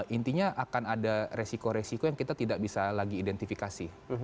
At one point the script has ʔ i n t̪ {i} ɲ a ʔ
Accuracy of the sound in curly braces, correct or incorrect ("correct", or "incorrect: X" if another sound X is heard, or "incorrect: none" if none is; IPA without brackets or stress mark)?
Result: correct